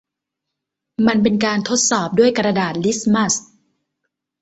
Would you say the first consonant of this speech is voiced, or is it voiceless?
voiced